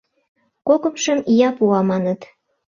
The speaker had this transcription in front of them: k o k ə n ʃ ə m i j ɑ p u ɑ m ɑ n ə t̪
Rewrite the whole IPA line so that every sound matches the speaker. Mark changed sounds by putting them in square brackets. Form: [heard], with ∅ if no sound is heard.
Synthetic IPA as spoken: k o k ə [m] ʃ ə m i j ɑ p u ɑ m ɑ n ə t̪